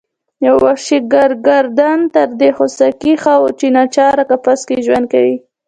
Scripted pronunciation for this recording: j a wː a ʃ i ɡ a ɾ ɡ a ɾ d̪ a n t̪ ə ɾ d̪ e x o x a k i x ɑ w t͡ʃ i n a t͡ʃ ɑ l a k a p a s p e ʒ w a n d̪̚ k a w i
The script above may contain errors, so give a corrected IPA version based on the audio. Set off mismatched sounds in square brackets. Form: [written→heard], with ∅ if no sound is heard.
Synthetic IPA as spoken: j a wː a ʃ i ɡ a ɾ ɡ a ɾ d̪ a n t̪ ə ɾ d̪ e x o [x→s] a k i x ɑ w t͡ʃ i n a t͡ʃ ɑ [l→ɾ] a k a p a s [p→k] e ʒ w a n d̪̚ k a w i